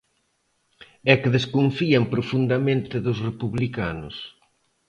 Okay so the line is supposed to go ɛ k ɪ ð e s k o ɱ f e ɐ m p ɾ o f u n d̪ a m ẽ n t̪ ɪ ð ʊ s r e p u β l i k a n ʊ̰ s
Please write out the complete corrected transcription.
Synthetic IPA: ɛ k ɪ ð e s k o ɱ f i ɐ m p ɾ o f u n d̪ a m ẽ n t̪ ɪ ð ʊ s r e p u β l i k a n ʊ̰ s